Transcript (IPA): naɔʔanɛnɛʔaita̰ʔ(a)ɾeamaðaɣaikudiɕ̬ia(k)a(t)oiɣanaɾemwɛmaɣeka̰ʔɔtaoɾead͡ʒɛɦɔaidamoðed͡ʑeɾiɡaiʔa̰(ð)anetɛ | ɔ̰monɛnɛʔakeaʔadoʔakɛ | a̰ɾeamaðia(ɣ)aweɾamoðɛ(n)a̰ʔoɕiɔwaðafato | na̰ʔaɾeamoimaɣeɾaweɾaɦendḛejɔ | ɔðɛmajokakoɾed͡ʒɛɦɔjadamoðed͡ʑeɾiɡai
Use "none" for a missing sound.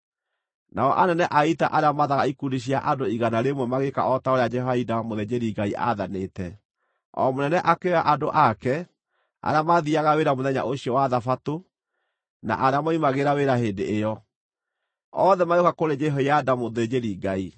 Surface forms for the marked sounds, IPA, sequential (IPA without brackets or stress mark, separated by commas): a, ʔ, d, ð, ɣ, ɲ